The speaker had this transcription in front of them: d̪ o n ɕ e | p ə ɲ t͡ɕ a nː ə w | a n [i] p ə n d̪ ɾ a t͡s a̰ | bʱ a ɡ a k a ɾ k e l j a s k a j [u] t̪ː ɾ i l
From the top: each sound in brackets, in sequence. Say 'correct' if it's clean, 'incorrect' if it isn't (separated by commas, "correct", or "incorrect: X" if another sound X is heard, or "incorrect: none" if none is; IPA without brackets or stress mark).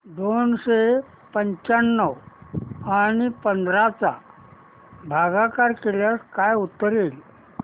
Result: correct, correct